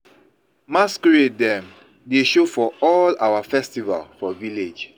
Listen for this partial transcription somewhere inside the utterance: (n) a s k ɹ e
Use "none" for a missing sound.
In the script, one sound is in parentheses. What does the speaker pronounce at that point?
m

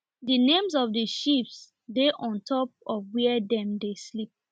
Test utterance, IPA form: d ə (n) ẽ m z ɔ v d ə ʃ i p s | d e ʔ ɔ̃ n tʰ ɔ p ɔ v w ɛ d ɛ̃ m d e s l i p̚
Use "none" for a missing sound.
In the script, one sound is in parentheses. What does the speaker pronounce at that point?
n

